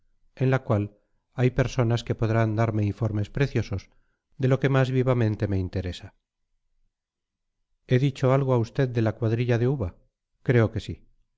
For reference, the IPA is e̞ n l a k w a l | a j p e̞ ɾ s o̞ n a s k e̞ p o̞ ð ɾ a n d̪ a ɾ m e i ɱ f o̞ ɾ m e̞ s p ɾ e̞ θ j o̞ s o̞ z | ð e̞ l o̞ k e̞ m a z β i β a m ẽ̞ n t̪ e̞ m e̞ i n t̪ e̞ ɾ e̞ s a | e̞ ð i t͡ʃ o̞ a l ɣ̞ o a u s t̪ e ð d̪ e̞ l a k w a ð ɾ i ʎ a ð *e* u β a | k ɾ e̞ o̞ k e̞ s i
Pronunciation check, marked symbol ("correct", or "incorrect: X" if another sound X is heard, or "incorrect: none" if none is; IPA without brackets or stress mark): correct